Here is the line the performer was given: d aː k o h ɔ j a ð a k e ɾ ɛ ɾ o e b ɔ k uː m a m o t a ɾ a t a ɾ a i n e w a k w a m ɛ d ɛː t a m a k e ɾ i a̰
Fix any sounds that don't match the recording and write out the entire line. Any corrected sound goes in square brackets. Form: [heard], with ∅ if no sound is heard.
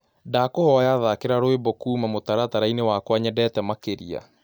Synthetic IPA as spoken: d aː k o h ɔ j a ð a k e ɾ [a] ɾ o e b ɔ k uː m a m o t a ɾ a t a ɾ a i n e w a k w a [ɲ] ɛ d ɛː t [ɛ] m a k e ɾ i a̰